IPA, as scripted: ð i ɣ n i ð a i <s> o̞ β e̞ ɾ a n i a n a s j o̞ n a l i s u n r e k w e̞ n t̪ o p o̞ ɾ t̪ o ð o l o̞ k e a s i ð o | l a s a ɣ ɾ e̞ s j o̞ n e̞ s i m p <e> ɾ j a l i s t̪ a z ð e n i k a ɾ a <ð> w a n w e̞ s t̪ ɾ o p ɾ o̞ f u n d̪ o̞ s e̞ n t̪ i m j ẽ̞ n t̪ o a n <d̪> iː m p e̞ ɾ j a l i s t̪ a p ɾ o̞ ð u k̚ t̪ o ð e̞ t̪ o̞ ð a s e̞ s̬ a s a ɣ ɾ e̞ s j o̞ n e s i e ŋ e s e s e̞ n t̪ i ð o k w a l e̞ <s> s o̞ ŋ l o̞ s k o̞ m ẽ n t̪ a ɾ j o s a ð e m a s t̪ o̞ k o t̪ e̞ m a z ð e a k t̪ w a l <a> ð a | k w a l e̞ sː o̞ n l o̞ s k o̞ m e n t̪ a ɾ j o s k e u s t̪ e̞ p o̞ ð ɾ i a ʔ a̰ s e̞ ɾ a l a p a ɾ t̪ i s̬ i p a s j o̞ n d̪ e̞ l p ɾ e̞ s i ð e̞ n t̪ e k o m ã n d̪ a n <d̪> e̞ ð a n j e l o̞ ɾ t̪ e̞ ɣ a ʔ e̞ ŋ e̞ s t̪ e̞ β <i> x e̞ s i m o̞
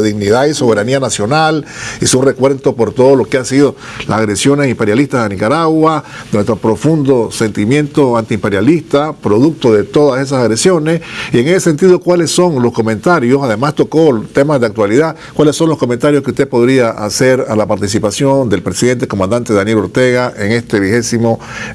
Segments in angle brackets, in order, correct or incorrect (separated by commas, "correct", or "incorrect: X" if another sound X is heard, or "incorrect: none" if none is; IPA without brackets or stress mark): correct, correct, incorrect: ɣ, incorrect: t̪, correct, incorrect: i, incorrect: t̪, correct